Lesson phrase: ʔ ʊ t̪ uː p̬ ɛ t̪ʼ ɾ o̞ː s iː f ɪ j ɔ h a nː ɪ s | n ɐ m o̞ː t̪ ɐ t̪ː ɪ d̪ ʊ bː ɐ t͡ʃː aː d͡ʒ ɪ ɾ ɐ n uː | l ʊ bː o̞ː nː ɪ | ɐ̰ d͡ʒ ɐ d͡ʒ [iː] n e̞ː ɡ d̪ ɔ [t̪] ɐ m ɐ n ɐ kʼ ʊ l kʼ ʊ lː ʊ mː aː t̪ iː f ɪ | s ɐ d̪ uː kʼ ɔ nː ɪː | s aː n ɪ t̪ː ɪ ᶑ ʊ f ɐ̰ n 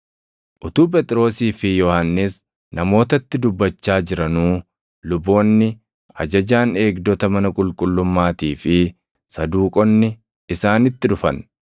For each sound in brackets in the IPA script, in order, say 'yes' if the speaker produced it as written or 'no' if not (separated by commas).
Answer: no, yes